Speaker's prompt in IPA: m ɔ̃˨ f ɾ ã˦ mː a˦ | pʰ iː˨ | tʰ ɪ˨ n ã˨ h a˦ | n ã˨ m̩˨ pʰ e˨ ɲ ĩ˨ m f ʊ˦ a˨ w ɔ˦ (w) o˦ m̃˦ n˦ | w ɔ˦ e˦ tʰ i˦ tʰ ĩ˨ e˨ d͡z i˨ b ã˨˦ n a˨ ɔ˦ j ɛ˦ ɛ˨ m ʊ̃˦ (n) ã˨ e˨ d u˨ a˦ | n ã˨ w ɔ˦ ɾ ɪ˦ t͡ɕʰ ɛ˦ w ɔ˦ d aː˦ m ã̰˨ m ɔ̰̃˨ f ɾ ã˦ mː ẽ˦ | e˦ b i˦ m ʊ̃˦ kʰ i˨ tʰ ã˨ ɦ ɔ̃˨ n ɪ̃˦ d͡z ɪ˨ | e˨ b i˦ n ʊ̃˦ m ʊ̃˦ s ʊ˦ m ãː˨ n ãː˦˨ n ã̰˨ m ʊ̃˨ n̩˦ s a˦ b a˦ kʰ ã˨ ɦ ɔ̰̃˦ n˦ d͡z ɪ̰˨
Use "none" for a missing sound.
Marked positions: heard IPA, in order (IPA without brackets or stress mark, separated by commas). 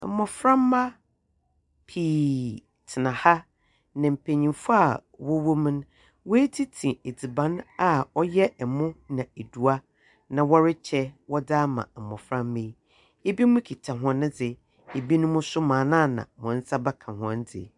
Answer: w, n